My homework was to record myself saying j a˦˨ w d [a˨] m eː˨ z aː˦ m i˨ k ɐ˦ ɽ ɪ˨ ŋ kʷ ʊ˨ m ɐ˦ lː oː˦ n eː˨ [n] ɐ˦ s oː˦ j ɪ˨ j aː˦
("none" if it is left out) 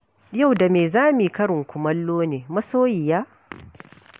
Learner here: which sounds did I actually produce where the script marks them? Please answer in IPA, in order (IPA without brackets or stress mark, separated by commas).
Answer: a˨, m